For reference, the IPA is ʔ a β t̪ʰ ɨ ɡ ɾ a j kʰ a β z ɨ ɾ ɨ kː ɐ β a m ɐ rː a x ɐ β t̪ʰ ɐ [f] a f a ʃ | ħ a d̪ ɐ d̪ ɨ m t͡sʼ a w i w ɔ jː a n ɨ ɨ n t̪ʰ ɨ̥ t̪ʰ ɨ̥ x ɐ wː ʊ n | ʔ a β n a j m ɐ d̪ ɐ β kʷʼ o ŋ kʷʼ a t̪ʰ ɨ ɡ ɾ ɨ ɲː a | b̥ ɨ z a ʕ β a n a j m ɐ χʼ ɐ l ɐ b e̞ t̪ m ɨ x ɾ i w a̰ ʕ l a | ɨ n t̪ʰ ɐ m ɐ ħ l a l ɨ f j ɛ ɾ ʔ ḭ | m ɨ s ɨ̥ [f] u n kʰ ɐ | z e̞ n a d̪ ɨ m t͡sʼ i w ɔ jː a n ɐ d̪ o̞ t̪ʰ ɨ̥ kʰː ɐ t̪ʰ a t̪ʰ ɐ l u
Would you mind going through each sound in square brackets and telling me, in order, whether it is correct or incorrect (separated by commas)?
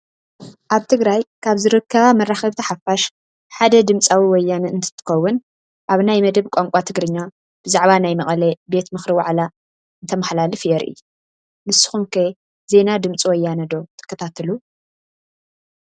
incorrect, incorrect